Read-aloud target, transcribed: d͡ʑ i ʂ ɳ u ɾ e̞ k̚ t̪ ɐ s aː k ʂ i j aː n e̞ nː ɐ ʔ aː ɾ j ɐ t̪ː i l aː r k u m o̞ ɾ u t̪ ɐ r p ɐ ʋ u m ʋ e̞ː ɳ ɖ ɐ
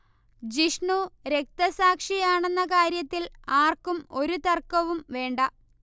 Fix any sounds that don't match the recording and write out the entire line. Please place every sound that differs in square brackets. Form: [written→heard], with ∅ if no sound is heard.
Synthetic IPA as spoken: d͡ʑ i ʂ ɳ u ɾ e̞ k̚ t̪ ɐ s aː k ʂ i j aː [n→ɳ] e̞ nː ɐ [ʔ→k] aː ɾ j ɐ t̪ː i l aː r k u m o̞ ɾ u t̪ ɐ r [p→k] ɐ ʋ u m ʋ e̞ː ɳ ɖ ɐ